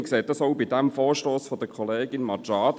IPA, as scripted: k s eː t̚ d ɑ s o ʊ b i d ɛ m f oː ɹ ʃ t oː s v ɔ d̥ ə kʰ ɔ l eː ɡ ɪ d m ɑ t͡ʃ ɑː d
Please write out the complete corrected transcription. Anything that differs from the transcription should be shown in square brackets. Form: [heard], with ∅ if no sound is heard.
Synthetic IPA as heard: k s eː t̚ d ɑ s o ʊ b i d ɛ m f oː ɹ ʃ t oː s [f] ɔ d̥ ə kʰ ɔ l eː ɡ ɪ [n] m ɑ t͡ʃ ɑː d